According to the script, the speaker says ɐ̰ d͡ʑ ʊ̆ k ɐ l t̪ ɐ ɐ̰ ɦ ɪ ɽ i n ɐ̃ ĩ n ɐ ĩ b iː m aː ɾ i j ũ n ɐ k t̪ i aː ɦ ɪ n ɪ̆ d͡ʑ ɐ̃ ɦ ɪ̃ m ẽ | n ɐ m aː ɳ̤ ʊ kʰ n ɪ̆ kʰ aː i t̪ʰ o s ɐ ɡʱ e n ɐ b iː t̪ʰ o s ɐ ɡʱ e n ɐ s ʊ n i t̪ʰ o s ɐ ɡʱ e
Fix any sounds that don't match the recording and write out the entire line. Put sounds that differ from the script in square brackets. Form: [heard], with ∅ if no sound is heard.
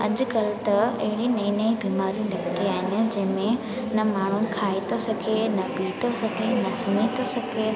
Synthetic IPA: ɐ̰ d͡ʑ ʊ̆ k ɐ l t̪ ɐ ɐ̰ ɦ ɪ ɽ i n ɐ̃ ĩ n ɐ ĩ b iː m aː ɾ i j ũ n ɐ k t̪ i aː ɦ ɪ n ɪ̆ d͡ʑ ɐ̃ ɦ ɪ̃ m ẽ | n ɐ m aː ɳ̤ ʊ [∅] n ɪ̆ kʰ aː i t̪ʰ o s ɐ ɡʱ e n ɐ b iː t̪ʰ o s ɐ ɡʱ e n ɐ s ʊ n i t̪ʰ o s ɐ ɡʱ e

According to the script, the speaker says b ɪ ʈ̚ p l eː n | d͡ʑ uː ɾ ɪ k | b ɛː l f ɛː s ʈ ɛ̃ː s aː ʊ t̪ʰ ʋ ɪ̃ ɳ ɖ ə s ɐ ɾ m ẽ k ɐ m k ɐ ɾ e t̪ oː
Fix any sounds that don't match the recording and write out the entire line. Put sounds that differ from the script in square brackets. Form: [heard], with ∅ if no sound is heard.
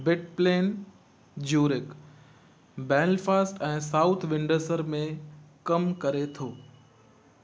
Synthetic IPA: b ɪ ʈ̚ p l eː n | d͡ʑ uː ɾ ɪ k | b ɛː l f [aː] s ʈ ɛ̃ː s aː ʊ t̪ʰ ʋ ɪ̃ ɳ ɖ ə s [ə] ɾ m ẽ k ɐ m k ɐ ɾ e [t̪ʰ] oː

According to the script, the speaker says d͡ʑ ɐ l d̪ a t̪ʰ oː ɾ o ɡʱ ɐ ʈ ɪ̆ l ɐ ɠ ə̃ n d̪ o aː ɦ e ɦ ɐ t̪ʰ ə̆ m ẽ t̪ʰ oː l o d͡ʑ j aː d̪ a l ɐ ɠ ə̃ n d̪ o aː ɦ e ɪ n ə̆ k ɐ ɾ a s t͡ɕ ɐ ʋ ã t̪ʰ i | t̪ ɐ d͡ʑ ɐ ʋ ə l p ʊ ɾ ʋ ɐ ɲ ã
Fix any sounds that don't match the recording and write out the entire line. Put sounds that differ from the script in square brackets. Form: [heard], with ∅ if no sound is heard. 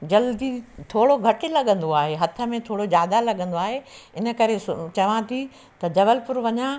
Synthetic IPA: d͡ʑ ɐ l d̪ [i] t̪ʰ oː [ɽ] o ɡʱ ɐ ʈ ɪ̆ l ɐ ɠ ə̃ n d̪ o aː ɦ e ɦ ɐ t̪ʰ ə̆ m ẽ t̪ʰ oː [ɽ] o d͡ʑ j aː d̪ a l ɐ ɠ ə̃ n d̪ o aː ɦ e ɪ n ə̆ k ɐ ɾ [e] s t͡ɕ ɐ ʋ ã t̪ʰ i | t̪ ɐ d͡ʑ ɐ ʋ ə l p ʊ ɾ ʋ ɐ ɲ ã

